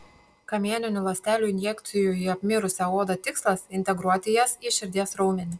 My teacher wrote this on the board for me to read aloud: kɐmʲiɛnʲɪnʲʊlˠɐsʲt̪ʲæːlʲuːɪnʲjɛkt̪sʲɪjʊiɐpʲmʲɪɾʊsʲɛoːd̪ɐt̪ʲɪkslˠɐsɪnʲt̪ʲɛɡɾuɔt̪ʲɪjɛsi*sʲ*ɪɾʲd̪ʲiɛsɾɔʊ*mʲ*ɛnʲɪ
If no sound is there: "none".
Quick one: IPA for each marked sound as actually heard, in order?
ʃʲ, mʲ

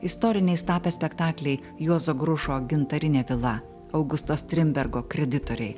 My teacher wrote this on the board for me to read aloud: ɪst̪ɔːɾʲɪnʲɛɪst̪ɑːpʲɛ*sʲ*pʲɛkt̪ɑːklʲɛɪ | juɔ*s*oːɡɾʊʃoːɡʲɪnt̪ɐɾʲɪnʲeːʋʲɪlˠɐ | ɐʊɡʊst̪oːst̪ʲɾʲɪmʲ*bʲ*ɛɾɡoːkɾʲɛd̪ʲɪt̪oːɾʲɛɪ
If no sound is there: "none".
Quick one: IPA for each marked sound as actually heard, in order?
sʲ, z, bʲ

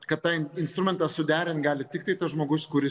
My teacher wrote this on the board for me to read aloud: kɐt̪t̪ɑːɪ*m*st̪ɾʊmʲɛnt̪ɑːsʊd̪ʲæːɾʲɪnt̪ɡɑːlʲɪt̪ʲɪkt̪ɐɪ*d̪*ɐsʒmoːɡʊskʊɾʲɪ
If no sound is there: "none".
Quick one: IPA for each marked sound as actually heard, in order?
n, t̪

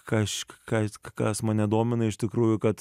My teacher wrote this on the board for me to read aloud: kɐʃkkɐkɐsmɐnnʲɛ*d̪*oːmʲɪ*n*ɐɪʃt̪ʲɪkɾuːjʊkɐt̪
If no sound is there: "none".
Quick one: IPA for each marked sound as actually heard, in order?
d̪, n

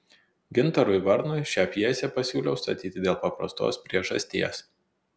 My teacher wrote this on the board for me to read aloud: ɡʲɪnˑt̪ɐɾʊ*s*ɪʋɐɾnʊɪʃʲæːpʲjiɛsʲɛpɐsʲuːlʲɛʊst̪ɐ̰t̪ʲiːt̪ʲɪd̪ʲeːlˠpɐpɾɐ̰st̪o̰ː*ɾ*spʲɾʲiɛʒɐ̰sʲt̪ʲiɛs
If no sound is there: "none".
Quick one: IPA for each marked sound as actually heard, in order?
none, none

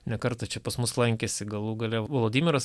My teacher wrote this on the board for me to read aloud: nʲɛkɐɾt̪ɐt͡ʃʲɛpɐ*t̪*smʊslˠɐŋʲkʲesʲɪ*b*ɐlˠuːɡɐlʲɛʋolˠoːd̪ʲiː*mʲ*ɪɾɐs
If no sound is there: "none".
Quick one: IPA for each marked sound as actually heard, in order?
none, ɡ, mʲ

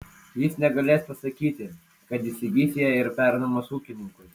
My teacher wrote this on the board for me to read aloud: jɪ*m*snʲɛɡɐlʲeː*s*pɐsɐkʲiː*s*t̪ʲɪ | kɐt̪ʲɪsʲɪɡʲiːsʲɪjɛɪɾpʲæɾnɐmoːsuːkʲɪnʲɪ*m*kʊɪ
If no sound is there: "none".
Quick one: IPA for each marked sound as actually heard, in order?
none, s, none, ŋ

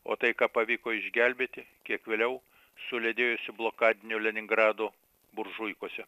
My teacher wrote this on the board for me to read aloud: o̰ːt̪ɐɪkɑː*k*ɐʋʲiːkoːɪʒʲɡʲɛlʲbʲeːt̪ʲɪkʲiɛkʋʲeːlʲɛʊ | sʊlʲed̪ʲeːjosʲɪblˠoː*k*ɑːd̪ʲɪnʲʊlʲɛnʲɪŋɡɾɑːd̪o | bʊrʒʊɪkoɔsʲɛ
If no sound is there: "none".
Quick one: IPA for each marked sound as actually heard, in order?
p, k

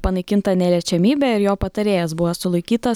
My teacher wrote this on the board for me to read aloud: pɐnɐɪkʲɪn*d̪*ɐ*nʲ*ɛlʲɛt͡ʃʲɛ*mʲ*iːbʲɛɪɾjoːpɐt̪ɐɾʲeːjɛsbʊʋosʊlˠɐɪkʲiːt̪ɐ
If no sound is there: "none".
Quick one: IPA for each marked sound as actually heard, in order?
t̪, nʲ, mʲ

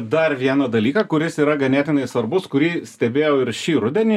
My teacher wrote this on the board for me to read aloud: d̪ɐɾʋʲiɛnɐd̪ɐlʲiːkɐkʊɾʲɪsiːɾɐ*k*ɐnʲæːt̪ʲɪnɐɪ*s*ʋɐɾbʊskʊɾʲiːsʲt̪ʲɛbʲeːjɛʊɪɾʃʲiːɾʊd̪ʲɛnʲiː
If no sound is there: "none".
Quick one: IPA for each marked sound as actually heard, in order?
ɡ, s

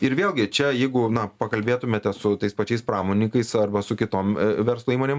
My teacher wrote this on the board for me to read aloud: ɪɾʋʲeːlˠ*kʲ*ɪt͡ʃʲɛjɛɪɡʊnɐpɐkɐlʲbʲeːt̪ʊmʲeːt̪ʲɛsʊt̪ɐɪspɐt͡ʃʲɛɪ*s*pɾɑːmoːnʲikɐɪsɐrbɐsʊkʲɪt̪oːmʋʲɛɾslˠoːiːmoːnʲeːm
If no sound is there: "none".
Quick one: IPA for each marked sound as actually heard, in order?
ɡʲ, s

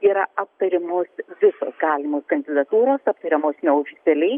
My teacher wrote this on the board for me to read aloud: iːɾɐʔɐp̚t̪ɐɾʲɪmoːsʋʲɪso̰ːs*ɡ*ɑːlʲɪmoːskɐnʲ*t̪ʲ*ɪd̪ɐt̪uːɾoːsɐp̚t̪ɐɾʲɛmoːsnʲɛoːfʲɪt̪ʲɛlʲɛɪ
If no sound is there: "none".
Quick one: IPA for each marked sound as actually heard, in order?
ɡ, d̪ʲ

